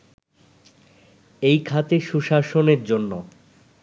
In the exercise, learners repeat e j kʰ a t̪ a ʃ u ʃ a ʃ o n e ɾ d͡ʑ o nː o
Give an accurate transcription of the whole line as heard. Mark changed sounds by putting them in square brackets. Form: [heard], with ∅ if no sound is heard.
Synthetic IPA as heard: e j kʰ a t̪ [e] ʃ u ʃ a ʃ o n e ɾ d͡ʑ o nː o